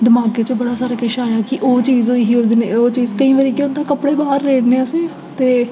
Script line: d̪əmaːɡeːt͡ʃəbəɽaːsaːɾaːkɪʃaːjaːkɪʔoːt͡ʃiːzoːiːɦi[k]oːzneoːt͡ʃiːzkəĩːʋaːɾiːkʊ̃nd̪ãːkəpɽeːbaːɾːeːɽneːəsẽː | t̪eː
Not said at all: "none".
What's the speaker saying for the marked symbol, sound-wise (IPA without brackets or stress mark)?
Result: none